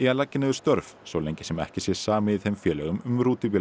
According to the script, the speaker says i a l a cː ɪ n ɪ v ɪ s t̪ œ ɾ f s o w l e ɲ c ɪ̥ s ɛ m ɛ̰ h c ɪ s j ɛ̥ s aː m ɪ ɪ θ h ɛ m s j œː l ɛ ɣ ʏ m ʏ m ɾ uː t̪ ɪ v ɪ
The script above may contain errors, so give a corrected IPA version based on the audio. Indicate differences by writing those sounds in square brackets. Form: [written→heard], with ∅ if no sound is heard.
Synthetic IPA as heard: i a l a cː ɪ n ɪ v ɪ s t̪ œ ɾ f s o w l e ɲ c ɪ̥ s ɛ m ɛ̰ h c ɪ s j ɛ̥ s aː m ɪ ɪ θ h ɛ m [s→f] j [œː→ɛː] l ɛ ɣ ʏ m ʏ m ɾ uː t̪ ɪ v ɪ